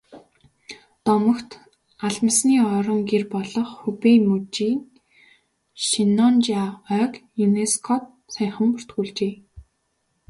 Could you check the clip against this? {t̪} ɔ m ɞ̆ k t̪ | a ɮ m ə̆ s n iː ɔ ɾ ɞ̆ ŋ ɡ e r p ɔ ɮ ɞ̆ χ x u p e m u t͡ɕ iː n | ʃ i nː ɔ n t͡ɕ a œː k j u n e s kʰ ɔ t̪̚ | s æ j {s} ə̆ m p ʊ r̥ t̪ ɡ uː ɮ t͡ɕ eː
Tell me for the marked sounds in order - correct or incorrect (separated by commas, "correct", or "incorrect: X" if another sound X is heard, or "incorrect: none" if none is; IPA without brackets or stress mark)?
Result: correct, incorrect: χ